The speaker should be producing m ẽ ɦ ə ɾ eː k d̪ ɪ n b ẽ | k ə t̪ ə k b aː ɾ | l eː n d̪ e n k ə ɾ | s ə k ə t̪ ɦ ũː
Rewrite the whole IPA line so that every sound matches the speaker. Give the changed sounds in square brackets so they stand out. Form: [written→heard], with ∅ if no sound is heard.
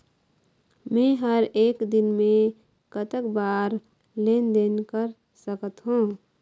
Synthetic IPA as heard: m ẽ ɦ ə ɾ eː k d̪ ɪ n [b→m] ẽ | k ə t̪ ə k b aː ɾ | l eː n d̪ e n k ə ɾ | s ə k ə t̪ ɦ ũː